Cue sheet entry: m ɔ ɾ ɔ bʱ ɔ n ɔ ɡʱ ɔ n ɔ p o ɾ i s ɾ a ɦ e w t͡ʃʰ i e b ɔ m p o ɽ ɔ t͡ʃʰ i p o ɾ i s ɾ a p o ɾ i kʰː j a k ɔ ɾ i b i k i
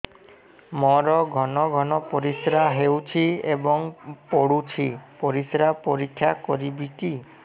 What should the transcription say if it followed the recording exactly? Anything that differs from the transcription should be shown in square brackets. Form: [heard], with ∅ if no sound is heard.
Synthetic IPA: m ɔ ɾ ɔ [ɡʱ] ɔ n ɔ ɡʱ ɔ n ɔ p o ɾ i s ɾ a ɦ e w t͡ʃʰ i e b ɔ [ŋ] p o ɽ [u] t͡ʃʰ i p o ɾ i s ɾ a p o ɾ i kʰː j a k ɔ ɾ i b i k i

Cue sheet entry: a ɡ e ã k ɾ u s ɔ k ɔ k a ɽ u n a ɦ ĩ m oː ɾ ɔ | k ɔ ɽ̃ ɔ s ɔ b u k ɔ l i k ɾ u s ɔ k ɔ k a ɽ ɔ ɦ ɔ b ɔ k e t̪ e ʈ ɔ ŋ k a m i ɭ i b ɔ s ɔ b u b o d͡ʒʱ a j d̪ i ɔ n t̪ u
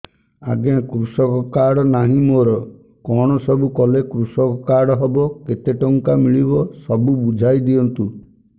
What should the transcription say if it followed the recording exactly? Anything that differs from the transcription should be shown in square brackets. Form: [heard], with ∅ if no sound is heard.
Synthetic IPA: a ɡ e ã k ɾ u s ɔ k ɔ k a ɽ [ɔ] n a ɦ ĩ m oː ɾ ɔ | k ɔ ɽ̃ ɔ s ɔ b u k ɔ l [e] k ɾ u s ɔ k ɔ k a ɽ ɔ ɦ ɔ b ɔ k e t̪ e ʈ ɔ ŋ k a m i ɭ i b ɔ s ɔ b u b [u] d͡ʒʱ a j d̪ i ɔ n t̪ u

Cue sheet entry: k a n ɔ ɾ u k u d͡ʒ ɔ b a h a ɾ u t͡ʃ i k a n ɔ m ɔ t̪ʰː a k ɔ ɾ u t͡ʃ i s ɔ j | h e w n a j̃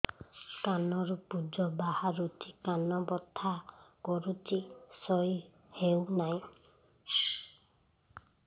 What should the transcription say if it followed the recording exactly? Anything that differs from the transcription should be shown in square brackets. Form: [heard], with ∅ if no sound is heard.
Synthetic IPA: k a n ɔ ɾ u [p] u d͡ʒ ɔ b a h a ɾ u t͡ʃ i k a n ɔ [b] ɔ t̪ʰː a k ɔ ɾ u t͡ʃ i s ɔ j | h e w n a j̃

